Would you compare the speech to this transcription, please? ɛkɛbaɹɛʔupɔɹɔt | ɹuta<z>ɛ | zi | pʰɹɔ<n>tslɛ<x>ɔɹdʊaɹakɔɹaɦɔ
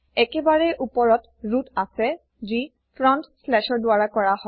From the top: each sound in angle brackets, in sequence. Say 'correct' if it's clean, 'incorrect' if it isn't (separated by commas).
incorrect, correct, incorrect